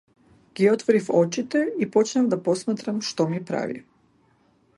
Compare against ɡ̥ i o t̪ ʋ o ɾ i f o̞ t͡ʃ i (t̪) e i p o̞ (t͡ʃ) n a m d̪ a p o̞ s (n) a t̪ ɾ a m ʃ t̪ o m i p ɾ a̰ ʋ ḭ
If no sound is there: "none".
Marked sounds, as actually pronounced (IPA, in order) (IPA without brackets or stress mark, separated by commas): t̪, t͡ʃ, m